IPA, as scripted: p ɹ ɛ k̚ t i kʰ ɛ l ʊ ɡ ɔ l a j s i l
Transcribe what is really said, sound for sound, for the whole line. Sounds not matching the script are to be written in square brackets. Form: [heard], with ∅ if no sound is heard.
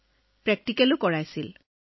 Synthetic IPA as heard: p ɹ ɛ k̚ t i [k] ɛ l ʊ [k] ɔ [ɹ] a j s i l